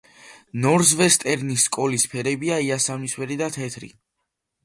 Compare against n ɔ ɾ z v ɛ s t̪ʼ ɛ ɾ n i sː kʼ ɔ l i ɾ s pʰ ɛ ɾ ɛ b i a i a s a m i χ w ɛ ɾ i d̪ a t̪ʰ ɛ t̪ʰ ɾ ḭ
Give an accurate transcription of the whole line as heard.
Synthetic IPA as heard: n ɔ ɾ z v ɛ s t̪ʼ ɛ ɾ n i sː kʼ ɔ l i s pʰ ɛ ɾ ɛ b i a i a s a m i s w ɛ ɾ i d̪ a t̪ʰ ɛ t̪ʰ ɾ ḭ